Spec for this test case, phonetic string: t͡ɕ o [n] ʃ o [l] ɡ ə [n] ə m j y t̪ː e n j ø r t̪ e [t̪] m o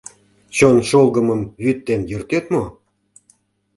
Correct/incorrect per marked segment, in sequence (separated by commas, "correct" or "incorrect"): correct, correct, incorrect, correct